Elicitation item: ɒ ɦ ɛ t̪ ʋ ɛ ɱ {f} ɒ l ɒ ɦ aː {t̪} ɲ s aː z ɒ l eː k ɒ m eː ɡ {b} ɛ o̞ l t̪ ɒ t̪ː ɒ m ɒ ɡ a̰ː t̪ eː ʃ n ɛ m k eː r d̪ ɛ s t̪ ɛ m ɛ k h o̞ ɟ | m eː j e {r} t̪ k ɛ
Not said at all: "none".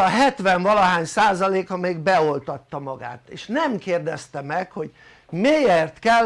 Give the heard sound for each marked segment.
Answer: v, none, b, r

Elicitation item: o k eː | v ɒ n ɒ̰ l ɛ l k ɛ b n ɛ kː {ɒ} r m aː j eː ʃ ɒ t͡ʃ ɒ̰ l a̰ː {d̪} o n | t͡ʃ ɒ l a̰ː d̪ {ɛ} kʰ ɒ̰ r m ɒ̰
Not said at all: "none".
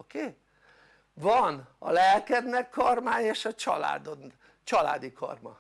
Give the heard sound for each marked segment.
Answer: ɒ, d̪, i

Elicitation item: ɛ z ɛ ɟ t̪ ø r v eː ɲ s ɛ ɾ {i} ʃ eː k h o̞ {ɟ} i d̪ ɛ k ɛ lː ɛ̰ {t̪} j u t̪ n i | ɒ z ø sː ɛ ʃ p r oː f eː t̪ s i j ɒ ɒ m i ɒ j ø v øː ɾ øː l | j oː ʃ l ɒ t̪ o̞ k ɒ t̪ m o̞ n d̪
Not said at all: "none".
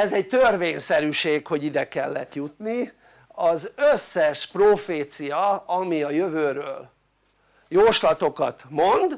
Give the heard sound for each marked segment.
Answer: y, ɟ, t̪

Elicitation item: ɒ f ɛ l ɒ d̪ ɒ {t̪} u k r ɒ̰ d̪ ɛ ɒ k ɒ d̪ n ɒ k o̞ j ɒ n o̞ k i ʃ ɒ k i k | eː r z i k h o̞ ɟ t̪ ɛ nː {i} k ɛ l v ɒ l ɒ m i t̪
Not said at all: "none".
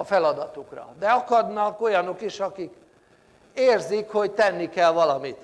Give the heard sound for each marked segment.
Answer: t̪, i

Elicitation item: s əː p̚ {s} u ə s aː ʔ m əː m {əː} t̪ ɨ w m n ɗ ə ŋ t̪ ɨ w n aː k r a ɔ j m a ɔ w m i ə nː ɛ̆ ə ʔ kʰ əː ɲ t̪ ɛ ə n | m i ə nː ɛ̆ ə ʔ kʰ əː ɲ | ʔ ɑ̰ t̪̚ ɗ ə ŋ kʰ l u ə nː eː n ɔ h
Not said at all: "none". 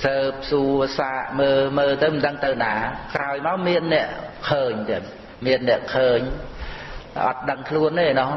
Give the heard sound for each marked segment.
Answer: s, əː

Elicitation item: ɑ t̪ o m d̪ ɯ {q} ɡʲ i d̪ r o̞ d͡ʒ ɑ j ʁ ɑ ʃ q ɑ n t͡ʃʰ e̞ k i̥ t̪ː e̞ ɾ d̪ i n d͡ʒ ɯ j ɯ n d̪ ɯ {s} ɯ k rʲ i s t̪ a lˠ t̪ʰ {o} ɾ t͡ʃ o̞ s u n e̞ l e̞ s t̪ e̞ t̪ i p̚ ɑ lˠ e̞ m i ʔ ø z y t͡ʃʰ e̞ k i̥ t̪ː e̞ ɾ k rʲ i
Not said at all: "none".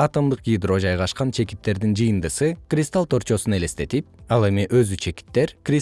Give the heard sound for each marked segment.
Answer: q, s, o

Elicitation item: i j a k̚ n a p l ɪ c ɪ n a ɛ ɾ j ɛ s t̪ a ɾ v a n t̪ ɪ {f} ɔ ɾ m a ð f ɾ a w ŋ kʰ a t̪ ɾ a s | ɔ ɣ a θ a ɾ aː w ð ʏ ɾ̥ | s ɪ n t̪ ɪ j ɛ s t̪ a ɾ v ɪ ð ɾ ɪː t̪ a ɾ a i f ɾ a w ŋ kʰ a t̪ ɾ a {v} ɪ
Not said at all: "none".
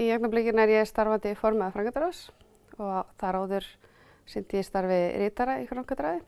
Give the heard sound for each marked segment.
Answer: f, ð

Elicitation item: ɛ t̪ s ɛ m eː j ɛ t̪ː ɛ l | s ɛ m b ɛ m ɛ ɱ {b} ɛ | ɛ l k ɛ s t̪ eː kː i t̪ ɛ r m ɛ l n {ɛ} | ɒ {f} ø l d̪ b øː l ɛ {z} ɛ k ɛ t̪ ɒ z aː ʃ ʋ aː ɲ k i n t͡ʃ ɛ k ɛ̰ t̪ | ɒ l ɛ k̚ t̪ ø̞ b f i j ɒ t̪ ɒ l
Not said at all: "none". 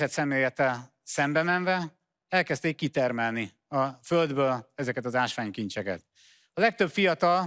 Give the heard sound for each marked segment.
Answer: v, i, f, z

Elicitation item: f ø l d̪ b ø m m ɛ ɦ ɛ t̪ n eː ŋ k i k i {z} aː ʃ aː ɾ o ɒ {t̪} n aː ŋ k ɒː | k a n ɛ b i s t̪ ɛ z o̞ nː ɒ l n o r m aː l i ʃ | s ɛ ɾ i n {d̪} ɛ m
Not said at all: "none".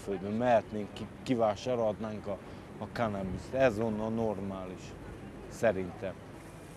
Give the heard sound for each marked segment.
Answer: v, d̪, t̪

